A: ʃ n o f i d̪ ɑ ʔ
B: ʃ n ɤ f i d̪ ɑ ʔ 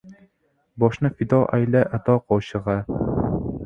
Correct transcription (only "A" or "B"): B